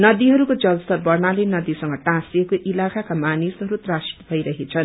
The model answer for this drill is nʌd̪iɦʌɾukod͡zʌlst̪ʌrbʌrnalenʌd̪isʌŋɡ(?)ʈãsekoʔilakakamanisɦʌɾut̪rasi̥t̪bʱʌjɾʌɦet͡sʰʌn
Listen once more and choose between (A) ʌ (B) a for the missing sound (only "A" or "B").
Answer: A